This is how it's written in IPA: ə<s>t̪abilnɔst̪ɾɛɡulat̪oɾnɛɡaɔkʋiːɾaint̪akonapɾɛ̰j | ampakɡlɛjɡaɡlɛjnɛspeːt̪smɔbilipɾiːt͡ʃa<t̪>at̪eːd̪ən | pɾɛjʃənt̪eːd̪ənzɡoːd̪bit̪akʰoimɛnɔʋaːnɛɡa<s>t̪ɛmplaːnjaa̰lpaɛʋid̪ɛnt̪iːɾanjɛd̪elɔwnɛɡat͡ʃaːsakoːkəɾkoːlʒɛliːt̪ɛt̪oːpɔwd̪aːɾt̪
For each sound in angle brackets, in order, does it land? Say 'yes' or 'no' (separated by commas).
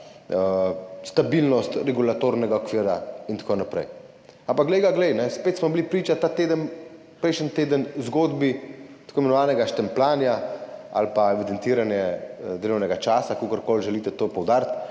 yes, yes, no